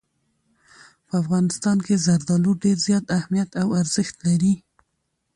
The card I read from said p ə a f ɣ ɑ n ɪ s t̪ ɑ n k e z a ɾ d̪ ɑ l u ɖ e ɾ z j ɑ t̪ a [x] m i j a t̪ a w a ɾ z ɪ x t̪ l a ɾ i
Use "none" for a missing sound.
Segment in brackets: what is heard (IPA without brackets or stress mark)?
h